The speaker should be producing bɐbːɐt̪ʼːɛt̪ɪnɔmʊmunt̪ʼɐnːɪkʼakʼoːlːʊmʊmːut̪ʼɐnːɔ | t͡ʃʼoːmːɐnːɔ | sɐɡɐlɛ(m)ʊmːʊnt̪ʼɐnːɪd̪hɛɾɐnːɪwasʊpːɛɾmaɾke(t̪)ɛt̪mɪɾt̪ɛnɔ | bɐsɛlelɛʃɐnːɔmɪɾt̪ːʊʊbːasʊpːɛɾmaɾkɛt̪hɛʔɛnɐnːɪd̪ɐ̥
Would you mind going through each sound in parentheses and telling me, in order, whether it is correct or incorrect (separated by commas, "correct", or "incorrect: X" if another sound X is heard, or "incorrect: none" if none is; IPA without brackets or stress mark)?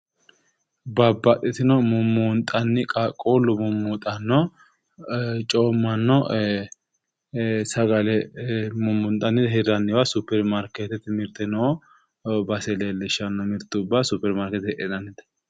correct, correct